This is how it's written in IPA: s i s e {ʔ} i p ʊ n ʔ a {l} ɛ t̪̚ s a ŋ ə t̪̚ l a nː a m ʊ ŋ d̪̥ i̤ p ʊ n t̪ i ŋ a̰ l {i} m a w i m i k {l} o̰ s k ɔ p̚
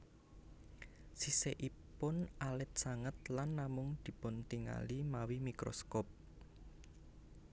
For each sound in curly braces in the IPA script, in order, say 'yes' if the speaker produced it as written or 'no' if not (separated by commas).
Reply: yes, yes, yes, no